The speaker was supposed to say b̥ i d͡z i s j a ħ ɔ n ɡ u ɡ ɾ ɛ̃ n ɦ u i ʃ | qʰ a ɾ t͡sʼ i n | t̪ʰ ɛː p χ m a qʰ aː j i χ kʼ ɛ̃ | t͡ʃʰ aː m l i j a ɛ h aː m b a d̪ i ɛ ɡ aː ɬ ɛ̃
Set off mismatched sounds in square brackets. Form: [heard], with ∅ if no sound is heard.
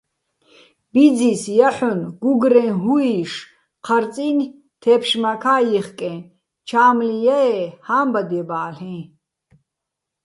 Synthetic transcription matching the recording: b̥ i d͡z i s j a ħ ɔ n ɡ u ɡ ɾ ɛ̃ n ɦ u i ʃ | qʰ a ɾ t͡sʼ i n | t̪ʰ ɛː p [ʃ] m a [kʰ] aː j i χ kʼ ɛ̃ | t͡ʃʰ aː m l i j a ɛ h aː m b a d̪ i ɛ [b] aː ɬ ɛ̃